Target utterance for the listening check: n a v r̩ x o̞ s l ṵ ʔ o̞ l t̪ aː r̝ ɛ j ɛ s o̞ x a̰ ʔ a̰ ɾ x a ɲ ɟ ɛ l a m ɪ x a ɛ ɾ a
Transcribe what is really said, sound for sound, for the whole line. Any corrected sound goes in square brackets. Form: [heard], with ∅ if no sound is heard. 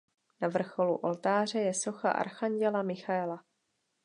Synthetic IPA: n a v r̩ x o̞ [∅] l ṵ ʔ o̞ l t̪ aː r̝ ɛ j ɛ s o̞ x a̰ ʔ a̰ ɾ x a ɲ ɟ ɛ l a m ɪ x a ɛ [l] a